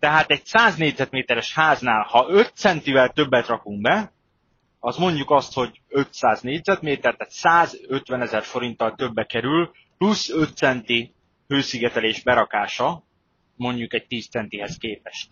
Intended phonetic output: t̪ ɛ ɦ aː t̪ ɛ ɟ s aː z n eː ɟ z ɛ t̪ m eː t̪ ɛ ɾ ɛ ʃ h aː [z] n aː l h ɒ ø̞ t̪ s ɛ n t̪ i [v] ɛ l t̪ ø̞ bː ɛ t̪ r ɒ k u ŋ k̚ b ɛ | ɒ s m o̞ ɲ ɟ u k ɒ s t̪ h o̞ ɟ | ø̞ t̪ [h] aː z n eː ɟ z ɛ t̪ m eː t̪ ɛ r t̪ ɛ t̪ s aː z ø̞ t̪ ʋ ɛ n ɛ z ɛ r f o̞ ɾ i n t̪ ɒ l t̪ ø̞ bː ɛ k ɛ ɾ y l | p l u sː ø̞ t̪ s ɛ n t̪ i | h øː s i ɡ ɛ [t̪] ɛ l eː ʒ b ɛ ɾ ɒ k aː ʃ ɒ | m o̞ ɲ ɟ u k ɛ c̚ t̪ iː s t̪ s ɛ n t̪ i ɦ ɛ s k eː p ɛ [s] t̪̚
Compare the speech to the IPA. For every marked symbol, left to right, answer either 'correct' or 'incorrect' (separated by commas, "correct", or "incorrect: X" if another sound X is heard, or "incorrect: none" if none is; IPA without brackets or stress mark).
correct, correct, incorrect: s, correct, incorrect: ʃ